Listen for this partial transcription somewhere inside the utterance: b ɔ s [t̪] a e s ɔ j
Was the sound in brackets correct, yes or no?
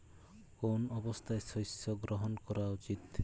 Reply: no